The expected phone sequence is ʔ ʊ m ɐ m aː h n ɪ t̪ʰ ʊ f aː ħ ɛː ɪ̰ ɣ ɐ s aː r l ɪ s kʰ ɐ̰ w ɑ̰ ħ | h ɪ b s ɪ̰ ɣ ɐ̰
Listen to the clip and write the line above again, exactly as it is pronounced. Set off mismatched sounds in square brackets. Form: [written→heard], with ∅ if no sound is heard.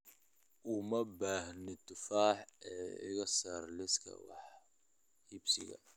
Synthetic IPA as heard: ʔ ʊ m ɐ [m→b] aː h n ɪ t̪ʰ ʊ f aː ħ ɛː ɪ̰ ɣ ɐ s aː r l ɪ s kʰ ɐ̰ w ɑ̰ ħ | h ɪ b s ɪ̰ ɣ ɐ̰